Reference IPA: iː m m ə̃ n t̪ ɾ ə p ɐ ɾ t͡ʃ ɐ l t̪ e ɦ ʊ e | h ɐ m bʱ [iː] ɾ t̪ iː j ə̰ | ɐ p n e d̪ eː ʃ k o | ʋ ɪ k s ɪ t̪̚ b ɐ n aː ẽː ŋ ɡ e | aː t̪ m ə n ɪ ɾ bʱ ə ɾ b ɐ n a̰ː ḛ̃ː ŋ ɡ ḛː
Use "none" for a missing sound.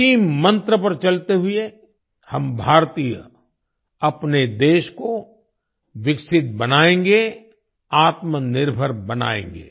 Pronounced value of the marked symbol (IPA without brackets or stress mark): aː